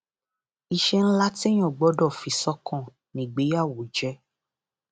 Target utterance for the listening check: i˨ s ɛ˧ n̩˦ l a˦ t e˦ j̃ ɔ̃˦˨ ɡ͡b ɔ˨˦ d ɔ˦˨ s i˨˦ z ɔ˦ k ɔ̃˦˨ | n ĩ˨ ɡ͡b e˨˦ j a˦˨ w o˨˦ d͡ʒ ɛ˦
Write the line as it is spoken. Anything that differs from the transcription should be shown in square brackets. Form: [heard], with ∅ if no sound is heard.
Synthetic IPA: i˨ [ʃ] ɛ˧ n̩˦ l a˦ t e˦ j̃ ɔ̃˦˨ ɡ͡b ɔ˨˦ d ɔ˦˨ [f] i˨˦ [s] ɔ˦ k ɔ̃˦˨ | n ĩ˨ ɡ͡b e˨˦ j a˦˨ w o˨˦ d͡ʒ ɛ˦